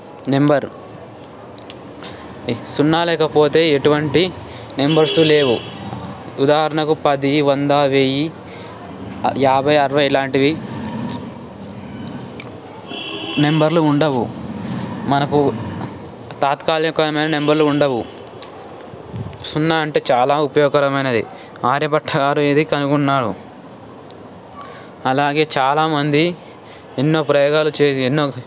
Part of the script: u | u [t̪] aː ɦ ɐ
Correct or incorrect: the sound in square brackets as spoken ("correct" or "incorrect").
incorrect